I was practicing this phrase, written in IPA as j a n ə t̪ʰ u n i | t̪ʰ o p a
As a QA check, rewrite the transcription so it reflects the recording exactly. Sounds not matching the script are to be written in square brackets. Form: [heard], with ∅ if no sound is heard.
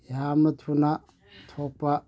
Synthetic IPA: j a [m] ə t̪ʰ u n [a] | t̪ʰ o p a